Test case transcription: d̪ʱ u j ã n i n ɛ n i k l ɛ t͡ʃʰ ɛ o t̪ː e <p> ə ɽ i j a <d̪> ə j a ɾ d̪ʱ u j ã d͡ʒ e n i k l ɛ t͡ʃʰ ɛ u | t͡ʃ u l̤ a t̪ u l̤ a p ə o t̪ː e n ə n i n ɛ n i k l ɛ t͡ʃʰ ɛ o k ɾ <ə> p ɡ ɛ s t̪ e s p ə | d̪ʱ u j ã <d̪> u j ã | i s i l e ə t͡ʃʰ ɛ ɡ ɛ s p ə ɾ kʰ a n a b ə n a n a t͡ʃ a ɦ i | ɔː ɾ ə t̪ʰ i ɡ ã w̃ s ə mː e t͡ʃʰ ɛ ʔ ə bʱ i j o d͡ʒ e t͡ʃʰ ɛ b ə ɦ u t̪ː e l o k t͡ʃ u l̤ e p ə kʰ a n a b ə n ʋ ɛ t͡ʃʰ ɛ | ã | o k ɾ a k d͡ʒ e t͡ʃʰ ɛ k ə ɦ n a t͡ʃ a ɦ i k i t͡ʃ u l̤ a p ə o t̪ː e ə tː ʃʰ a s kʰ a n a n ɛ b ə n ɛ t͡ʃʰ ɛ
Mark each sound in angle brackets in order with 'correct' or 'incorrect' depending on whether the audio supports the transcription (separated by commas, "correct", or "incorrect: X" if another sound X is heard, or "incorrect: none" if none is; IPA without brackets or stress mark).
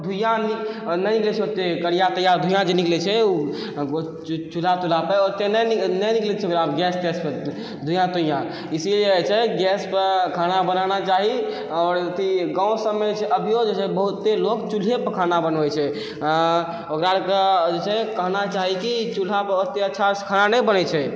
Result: incorrect: k, incorrect: t̪, incorrect: a, incorrect: t̪